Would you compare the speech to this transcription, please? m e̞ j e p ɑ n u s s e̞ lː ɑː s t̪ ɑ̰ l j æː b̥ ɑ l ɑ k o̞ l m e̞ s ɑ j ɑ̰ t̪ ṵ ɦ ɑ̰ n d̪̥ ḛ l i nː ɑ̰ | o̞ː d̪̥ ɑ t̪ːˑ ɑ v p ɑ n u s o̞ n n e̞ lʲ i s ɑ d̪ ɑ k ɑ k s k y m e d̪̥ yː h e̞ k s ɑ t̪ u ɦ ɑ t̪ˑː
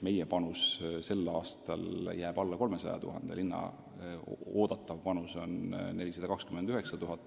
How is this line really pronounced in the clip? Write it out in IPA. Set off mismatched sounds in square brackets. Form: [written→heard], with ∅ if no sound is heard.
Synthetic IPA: m e̞ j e p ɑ n u s s e̞ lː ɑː s t̪ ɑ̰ l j æː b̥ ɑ [l→lː] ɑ k o̞ l m e̞ s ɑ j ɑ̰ t̪ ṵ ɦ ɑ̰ n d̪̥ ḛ l i nː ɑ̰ | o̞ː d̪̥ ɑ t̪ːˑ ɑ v p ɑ n u s o̞ n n e̞ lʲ i s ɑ d̪ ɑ k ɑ k s k y m e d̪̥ [yː→y] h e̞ k s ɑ t̪ u ɦ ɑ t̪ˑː